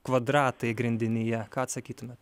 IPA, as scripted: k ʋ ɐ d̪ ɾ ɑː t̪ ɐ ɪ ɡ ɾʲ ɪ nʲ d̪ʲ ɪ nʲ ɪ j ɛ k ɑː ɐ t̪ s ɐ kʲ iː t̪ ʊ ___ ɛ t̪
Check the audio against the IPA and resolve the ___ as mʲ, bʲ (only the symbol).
mʲ